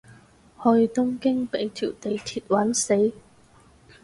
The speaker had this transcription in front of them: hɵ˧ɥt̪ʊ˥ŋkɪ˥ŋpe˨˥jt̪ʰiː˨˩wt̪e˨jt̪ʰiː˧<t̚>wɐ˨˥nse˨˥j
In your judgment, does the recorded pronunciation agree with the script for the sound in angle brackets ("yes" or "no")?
yes